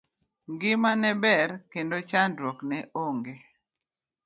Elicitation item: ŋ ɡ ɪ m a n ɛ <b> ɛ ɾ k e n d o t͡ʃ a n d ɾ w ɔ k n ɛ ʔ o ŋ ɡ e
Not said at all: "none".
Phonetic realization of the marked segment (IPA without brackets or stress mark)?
b